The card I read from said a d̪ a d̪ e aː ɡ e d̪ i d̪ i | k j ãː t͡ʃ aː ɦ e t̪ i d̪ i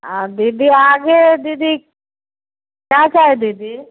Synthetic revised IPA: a d̪ i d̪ i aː ɡ e d̪ i d̪ i | k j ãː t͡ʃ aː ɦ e d̪ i d̪ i